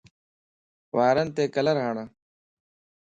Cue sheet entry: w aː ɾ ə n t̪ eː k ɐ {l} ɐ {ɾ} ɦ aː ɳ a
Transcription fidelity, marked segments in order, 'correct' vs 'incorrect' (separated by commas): correct, correct